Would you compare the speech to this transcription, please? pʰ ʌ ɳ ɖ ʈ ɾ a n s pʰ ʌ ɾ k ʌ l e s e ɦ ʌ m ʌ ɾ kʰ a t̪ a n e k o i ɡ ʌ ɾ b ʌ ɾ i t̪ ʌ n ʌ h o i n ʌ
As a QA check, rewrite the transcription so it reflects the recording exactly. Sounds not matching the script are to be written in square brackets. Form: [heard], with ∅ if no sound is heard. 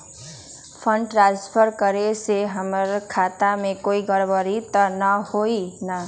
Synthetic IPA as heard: pʰ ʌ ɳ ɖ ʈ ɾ a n s pʰ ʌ ɾ k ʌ [ɾ] e s e ɦ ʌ m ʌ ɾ kʰ a t̪ a [m] e k o i ɡ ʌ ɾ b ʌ ɾ i t̪ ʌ n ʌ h o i n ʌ